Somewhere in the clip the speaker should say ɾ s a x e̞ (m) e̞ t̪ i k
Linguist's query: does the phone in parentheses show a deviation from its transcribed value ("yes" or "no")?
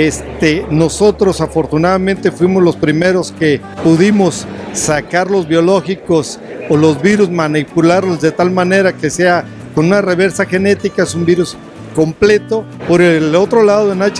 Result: yes